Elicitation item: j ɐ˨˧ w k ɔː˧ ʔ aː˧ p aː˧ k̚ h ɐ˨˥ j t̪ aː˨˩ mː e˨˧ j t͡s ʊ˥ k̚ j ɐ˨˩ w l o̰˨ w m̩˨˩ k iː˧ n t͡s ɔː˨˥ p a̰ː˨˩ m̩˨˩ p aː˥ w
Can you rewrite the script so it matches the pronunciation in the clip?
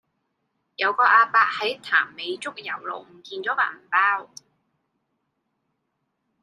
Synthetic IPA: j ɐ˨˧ w k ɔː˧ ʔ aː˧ p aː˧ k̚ h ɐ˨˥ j t̪ʰ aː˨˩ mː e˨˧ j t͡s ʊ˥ k̚ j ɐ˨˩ w l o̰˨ w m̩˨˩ k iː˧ n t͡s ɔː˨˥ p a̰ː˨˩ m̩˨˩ p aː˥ w